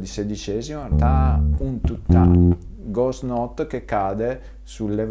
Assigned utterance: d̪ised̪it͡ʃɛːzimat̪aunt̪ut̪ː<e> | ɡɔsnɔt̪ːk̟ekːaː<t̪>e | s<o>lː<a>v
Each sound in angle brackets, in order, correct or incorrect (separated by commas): incorrect, incorrect, incorrect, incorrect